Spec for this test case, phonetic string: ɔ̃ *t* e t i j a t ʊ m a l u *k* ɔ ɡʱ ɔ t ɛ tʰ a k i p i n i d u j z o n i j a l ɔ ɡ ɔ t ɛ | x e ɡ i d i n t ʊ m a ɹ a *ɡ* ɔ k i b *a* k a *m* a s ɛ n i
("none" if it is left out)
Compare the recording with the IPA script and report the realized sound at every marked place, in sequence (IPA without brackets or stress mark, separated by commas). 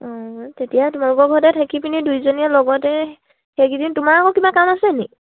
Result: t, k, k, a, m